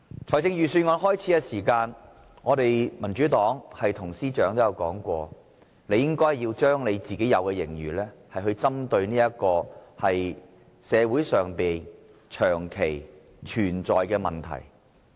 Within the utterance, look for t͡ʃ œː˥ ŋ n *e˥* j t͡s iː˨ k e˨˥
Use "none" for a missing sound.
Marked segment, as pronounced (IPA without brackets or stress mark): e˨˧